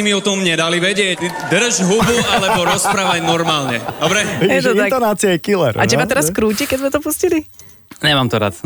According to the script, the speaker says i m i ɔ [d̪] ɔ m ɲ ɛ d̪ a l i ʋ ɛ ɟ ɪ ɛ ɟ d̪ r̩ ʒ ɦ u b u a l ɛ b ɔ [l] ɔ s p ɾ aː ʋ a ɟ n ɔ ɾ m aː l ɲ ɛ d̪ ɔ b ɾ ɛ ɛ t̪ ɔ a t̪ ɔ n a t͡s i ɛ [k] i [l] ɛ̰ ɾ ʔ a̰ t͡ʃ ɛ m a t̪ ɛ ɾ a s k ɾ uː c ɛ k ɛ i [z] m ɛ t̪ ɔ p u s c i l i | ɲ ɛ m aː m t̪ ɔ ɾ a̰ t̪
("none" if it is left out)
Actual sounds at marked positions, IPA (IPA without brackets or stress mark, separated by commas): t̪, ɾ, k, l, z